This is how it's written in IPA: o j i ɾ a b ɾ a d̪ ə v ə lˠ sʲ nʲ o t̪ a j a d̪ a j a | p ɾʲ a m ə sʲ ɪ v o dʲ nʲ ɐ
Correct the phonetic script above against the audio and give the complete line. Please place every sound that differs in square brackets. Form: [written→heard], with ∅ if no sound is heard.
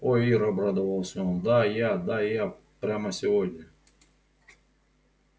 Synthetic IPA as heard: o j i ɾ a b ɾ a d̪ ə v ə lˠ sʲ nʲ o [t̪→d̪] a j a d̪ a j a | p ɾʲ a m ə sʲ ɪ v o dʲ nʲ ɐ